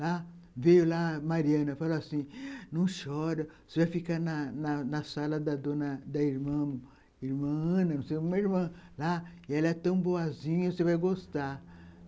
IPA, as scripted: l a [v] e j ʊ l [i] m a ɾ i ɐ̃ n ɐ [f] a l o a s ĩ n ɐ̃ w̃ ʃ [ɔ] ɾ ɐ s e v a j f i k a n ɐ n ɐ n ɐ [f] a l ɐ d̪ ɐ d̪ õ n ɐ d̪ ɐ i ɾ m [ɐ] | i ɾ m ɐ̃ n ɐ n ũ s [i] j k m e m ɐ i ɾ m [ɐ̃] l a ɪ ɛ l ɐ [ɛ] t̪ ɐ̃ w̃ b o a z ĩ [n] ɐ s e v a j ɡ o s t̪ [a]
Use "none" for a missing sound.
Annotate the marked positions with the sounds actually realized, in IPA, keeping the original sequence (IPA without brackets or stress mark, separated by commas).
v, a, f, ɔ, s, ɐ̃, e, ɐ̃, ɛ, ɲ, a